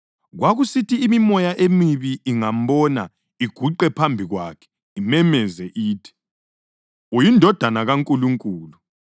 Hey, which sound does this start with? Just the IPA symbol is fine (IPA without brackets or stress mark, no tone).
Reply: ɣ